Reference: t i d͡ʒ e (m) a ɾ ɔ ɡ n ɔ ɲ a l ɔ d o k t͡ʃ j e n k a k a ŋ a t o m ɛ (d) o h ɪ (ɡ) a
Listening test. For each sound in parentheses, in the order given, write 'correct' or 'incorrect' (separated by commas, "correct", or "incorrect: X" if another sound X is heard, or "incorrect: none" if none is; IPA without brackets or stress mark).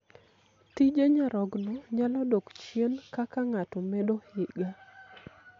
incorrect: ɲ, correct, correct